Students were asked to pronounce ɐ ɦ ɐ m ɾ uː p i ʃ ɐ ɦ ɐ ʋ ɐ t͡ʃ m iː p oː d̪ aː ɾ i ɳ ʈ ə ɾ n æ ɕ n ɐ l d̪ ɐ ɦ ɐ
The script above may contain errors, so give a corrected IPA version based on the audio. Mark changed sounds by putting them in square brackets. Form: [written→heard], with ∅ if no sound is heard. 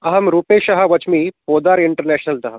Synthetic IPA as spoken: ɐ ɦ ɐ m ɾ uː p [i→e] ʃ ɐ ɦ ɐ ʋ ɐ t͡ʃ m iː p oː d̪ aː ɾ i ɳ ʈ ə ɾ n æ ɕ n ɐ l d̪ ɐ ɦ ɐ